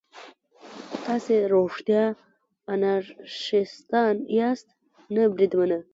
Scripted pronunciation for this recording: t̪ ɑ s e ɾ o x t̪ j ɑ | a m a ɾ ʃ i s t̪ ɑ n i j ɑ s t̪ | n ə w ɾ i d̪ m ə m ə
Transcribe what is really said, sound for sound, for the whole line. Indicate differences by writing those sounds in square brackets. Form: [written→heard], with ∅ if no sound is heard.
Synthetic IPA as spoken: t̪ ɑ s e ɾ o [x→ʂ] t̪ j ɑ | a [m→n] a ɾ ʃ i s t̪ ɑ n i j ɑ s t̪ | n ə [w→b] ɾ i d̪ m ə [m→n] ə